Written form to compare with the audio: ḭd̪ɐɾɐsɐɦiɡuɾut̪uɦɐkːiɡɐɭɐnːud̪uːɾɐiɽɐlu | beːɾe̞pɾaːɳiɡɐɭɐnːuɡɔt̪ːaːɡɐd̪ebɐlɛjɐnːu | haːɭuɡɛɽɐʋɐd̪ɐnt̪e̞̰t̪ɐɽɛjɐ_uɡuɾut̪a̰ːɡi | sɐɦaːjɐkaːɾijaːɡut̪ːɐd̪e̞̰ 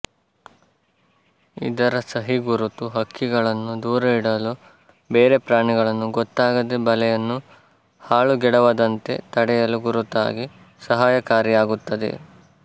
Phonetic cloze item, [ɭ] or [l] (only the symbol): l